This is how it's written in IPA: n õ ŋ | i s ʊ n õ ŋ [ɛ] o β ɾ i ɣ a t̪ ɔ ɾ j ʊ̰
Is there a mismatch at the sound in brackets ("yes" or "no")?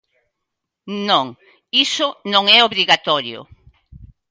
no